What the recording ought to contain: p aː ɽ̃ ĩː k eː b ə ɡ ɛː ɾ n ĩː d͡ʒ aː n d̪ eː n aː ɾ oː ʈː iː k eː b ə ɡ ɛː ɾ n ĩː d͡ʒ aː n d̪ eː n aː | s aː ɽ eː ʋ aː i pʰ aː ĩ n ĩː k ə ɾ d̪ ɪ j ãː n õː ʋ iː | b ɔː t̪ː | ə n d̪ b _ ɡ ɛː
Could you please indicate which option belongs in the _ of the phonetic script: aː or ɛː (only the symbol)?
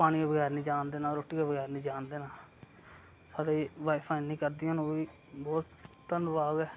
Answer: aː